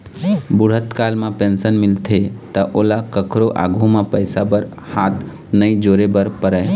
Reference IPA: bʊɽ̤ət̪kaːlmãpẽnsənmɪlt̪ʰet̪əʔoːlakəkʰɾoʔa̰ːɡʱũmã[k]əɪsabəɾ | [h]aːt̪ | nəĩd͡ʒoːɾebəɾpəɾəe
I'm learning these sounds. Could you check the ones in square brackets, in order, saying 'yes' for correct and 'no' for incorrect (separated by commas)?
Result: no, yes